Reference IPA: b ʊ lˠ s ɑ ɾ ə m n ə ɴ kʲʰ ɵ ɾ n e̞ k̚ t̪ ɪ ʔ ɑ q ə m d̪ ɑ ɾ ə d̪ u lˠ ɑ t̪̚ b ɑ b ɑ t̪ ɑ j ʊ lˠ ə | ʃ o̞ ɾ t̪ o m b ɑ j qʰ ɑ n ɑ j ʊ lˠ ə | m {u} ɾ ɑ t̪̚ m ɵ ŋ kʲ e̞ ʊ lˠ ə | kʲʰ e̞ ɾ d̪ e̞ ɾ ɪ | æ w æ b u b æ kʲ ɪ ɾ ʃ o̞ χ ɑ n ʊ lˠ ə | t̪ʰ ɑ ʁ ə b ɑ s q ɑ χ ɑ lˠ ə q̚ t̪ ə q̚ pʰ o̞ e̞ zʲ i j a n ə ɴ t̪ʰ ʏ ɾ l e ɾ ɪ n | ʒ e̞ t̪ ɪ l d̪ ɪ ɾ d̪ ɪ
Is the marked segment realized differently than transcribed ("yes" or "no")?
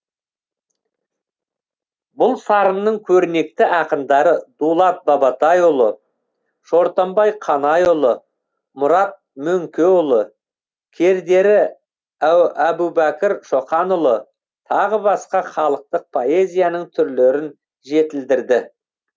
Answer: yes